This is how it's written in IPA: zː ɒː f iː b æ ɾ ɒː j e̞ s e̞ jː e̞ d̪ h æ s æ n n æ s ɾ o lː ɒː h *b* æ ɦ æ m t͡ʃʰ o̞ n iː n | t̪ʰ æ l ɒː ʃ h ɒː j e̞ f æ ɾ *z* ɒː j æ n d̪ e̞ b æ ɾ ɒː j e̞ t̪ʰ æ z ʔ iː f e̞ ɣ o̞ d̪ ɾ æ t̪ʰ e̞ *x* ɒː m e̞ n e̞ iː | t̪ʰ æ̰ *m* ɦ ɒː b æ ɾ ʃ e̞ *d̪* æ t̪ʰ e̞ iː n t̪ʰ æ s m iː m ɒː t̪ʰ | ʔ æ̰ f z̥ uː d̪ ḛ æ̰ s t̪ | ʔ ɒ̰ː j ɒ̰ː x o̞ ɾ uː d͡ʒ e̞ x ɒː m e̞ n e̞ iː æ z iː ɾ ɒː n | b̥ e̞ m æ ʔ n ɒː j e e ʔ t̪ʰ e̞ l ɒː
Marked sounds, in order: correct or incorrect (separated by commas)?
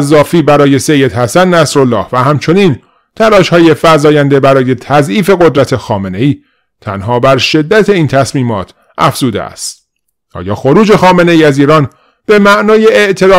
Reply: incorrect, correct, correct, incorrect, incorrect